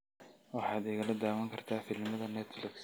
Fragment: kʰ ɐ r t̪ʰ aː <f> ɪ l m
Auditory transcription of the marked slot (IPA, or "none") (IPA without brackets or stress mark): f